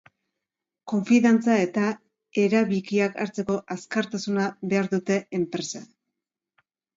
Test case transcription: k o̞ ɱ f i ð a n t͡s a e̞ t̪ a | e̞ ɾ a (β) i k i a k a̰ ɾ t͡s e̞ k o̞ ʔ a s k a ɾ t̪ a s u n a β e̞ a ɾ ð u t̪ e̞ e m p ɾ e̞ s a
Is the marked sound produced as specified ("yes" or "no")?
yes